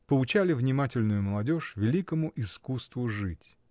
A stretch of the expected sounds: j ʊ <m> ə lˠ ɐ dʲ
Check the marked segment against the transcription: correct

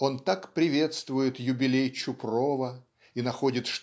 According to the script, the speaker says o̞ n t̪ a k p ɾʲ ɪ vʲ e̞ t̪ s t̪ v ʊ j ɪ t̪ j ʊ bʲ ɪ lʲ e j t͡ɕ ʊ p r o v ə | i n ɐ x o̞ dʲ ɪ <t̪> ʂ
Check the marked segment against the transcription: correct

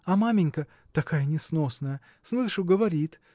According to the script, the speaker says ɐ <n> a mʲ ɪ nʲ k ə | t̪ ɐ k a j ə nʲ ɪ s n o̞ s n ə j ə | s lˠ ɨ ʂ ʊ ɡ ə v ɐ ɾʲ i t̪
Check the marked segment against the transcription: incorrect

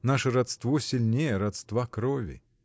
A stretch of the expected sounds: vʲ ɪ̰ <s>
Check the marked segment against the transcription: incorrect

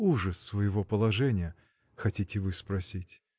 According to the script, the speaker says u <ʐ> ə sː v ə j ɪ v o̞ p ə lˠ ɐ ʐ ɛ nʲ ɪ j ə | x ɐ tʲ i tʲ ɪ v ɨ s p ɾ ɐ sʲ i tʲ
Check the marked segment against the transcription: correct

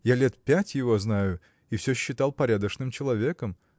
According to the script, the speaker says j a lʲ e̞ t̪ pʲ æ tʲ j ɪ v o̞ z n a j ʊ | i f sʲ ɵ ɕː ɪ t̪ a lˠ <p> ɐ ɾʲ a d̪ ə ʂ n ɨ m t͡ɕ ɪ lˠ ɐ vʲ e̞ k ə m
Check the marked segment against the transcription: correct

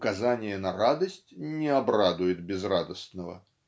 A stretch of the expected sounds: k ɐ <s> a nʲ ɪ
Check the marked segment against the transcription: incorrect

